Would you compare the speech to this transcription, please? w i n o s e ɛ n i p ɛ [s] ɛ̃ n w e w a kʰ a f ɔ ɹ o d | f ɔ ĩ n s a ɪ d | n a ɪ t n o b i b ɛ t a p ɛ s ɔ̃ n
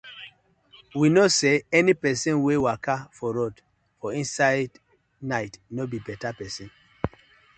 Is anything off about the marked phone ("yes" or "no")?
no